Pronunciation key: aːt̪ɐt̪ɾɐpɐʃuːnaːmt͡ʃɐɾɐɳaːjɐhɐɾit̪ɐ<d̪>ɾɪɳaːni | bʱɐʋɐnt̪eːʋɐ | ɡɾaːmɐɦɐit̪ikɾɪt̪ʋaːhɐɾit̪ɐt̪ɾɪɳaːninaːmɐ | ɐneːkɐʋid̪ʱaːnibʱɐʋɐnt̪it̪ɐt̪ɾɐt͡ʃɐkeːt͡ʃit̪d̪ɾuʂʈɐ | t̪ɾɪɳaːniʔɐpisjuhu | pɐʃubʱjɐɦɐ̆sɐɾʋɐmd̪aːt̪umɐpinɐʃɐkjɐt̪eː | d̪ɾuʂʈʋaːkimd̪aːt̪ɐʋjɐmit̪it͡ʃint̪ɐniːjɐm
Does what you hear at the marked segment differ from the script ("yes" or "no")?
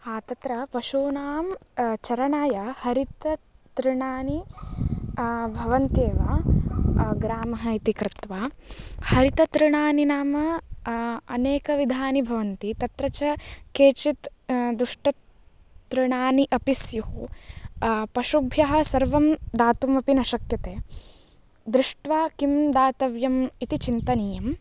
yes